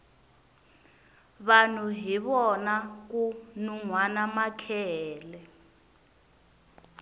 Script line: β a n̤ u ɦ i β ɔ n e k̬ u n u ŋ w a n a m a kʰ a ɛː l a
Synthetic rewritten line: β a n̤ u ɦ i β ɔ n a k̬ u n u ŋ w a n a m a kʰ ɛ ɛː l ɛ